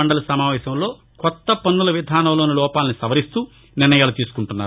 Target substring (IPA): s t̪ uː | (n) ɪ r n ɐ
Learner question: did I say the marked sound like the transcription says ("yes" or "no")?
yes